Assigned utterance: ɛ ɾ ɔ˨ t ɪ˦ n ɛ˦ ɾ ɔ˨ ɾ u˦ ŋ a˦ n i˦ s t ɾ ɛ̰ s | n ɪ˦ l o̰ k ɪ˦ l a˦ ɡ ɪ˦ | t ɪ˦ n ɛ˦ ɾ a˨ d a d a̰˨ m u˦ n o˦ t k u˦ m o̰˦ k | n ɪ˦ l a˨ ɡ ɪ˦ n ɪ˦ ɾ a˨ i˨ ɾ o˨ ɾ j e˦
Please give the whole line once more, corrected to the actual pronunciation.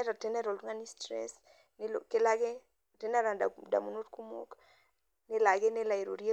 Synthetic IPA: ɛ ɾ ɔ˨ t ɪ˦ n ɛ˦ ɾ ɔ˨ l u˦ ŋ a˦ n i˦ s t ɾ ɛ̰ s | n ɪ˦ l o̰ k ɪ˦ l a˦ ɡ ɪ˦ | t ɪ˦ n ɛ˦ ɾ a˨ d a d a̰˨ m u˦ n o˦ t k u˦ m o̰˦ k | n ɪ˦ l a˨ ɡ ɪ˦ n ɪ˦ l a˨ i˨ ɾ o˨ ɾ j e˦